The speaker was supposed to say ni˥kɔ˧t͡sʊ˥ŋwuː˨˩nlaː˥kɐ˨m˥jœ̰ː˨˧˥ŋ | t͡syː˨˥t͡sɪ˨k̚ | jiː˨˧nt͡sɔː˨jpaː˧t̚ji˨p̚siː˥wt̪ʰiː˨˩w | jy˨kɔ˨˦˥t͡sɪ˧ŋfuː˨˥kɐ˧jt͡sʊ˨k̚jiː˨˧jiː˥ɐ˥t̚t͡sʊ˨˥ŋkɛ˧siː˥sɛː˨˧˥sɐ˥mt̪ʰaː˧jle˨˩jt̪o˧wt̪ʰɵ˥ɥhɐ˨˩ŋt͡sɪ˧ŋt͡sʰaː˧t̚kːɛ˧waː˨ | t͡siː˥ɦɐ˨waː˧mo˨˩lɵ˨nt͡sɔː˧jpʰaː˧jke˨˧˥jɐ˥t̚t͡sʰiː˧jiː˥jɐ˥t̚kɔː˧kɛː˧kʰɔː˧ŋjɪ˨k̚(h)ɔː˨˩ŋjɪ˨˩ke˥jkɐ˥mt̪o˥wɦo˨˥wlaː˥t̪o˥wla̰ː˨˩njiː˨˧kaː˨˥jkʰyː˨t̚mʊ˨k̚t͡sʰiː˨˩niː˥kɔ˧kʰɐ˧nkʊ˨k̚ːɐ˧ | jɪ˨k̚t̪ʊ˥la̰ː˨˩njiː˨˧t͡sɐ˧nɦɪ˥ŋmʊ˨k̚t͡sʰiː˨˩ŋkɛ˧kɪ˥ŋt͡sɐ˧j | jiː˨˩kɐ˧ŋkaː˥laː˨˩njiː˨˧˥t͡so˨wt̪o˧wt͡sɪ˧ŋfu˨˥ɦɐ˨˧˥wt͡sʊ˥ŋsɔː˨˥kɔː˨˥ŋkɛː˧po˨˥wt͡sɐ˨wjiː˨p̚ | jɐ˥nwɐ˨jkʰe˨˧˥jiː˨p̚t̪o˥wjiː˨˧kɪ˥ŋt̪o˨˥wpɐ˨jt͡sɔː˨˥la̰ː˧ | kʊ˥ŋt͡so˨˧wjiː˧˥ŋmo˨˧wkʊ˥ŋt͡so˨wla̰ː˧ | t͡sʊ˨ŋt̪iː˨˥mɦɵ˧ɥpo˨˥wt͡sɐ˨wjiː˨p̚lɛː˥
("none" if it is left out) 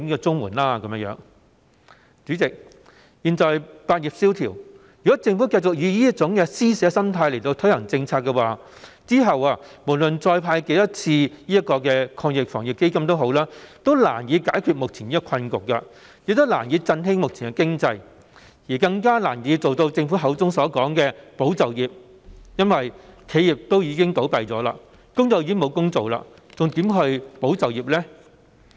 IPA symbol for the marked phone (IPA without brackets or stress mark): f